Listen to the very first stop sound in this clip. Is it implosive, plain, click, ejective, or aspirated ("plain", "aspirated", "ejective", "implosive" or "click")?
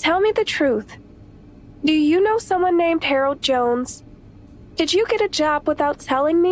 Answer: aspirated